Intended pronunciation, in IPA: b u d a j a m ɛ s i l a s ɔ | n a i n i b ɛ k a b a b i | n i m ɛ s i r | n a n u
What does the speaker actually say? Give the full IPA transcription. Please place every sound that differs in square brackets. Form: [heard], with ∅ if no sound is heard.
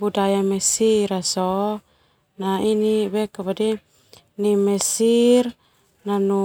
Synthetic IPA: b u d a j a m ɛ s i [ɾ] a s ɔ | n a i n i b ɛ k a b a [d] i | n i m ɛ s i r | n a n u